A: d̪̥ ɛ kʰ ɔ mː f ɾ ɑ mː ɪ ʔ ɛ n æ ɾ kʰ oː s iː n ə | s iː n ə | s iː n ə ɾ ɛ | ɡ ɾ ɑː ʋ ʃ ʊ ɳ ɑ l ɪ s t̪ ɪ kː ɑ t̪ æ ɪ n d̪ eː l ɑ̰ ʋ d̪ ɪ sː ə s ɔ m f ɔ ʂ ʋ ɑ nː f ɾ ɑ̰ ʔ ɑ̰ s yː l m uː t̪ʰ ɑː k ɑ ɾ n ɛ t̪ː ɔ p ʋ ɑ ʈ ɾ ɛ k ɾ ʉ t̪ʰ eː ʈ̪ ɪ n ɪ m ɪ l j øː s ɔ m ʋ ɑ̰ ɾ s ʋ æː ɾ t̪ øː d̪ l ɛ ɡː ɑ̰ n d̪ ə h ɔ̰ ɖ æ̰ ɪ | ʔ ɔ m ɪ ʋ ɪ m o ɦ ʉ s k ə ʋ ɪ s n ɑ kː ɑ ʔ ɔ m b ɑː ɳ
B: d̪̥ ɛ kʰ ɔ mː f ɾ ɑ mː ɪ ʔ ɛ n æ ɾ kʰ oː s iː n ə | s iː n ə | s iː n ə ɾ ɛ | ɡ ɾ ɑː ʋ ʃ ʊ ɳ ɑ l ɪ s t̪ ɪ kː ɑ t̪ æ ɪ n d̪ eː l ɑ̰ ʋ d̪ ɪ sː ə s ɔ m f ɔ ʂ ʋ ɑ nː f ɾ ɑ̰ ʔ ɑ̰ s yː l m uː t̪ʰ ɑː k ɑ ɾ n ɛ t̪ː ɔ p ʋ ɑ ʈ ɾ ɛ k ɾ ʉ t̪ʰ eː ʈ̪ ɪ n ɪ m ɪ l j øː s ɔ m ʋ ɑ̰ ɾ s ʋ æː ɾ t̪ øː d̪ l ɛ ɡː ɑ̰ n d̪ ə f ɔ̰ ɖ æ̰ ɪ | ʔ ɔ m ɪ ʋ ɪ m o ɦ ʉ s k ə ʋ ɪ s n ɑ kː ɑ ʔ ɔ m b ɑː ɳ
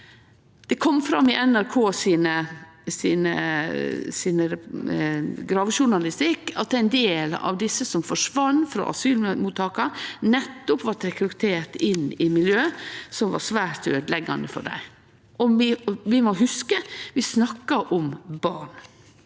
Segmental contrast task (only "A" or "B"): B